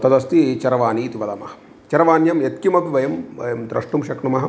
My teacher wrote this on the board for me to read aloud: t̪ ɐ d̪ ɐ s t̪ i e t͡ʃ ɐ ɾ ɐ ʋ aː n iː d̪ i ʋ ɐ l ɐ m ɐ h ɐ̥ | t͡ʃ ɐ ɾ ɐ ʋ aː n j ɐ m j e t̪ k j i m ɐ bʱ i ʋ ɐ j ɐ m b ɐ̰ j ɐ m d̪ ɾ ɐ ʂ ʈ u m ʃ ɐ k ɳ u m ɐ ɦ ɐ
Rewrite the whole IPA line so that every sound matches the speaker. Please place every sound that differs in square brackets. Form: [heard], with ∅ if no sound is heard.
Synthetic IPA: t̪ ɐ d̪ ɐ s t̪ i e t͡ʃ ɐ ɾ ɐ ʋ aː n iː [t̪] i ʋ ɐ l ɐ m ɐ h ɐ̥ | t͡ʃ ɐ ɾ ɐ ʋ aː n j ɐ m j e t̪ k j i m ɐ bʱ i ʋ ɐ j ɐ m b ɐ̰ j ɐ m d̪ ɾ ɐ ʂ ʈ u m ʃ ɐ k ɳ u m ɐ ɦ ɐ

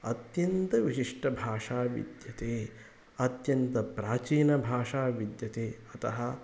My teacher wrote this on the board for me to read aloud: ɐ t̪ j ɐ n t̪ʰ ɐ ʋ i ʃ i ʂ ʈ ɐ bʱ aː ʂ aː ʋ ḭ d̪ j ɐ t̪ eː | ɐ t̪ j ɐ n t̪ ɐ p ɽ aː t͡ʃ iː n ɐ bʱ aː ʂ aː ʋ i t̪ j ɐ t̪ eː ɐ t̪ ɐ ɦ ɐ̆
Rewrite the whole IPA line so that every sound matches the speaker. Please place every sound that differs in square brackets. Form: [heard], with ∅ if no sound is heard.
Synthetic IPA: ɐ t̪ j ɐ n [t̪] ɐ ʋ i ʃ i ʂ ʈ ɐ bʱ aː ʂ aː ʋ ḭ d̪ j ɐ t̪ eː | ɐ t̪ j ɐ n t̪ ɐ p [ɾ] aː t͡ʃ iː n ɐ bʱ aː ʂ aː ʋ i [d̪] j ɐ t̪ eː ɐ t̪ ɐ ɦ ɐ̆

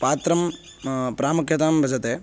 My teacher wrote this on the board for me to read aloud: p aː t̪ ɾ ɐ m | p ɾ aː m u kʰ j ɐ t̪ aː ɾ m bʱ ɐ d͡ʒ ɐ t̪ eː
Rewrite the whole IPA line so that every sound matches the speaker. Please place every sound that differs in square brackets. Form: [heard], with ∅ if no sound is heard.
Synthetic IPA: p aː t̪ ɾ ɐ m | p ɾ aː m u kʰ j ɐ t̪ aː [∅] m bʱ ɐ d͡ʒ ɐ t̪ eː

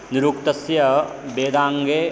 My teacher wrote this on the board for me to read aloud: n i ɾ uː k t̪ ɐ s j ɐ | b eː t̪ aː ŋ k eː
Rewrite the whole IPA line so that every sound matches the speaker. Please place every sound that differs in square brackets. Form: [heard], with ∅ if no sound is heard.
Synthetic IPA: n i ɾ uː k t̪ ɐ s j ɐ | b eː [d̪] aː ŋ [ɡ] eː

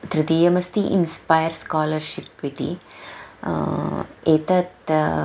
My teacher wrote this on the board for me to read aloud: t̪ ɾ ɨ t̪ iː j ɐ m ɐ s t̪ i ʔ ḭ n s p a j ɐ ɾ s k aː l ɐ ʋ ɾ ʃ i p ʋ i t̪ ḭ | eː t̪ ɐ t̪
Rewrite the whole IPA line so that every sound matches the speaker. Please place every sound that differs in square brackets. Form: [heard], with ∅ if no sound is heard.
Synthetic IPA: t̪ ɾ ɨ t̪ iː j ɐ m ɐ s t̪ i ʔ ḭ n s p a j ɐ ɾ s k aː l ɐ [∅] ɾ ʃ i p ʋ i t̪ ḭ | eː t̪ ɐ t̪

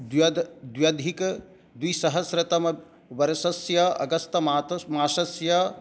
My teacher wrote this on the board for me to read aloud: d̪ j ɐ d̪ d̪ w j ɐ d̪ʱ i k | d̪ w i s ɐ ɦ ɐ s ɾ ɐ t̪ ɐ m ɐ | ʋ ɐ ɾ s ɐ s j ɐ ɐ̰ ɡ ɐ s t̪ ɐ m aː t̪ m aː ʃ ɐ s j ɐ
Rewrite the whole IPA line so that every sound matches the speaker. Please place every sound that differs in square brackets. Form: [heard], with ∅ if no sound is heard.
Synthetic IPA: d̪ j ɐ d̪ d̪ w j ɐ d̪ʱ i k | d̪ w i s ɐ ɦ ɐ s ɾ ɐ t̪ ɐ m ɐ | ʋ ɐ ɾ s ɐ s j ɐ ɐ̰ ɡ ɐ s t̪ ɐ m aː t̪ m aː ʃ ɐ s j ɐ

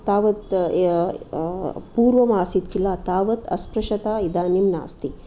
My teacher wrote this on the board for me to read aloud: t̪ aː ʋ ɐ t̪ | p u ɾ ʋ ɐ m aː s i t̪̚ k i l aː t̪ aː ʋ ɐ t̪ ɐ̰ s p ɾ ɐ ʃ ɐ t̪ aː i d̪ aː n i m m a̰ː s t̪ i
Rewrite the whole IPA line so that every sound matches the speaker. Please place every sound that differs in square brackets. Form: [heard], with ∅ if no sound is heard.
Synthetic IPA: t̪ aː ʋ ɐ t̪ | p [uː] ɾ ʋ ɐ m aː s i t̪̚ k i l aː t̪ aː ʋ ɐ t̪ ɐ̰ s p ɾ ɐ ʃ ɐ t̪ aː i d̪ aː n i m [n] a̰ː s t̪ i

